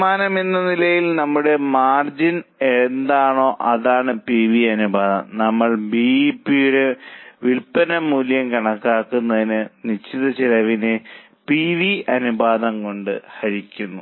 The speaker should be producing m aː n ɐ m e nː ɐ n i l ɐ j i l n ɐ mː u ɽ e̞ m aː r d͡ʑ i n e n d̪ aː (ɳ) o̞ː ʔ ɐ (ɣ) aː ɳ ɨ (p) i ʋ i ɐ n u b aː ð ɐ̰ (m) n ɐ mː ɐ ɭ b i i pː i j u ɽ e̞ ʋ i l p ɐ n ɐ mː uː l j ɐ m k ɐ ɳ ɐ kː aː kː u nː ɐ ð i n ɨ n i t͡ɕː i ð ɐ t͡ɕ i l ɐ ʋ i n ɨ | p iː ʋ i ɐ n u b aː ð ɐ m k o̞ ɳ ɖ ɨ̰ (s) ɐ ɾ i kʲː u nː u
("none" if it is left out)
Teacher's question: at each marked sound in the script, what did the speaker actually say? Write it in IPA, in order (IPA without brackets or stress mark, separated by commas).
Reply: ɳ, ð, p, m, h